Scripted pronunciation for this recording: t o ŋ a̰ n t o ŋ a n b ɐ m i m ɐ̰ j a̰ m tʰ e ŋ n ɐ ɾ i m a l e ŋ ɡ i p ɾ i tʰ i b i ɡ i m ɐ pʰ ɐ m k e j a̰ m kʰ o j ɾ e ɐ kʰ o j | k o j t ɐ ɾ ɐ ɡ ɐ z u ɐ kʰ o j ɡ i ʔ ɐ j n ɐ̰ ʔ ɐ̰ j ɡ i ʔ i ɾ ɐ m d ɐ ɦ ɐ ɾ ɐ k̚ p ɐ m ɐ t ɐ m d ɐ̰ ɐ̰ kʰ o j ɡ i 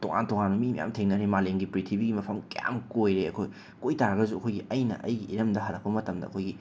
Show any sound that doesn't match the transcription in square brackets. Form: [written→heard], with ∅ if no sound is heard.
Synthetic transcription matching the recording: t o ŋ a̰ n t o ŋ a n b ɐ m i m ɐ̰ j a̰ m tʰ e ŋ n ɐ ɾ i m a l e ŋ ɡ i p ɾ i tʰ i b i ɡ i m ɐ pʰ ɐ m k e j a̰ m [kʰ→k] o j ɾ e ɐ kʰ o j | k o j t [ɐ→a] ɾ ɐ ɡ ɐ z u ɐ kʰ o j ɡ i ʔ ɐ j n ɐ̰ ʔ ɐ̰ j ɡ i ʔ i ɾ ɐ m d ɐ ɦ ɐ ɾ ɐ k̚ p ɐ m ɐ t ɐ m d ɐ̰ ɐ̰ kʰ o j ɡ i